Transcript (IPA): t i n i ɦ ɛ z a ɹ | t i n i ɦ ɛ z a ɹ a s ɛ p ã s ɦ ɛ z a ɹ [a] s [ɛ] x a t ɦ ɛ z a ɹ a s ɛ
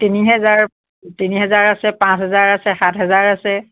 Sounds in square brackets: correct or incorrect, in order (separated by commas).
correct, correct